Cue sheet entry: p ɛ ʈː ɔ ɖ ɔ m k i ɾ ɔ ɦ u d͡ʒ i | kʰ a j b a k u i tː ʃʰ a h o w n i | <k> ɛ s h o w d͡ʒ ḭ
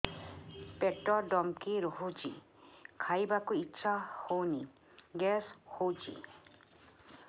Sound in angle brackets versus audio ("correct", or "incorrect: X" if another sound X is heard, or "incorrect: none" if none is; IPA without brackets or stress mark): incorrect: ɡ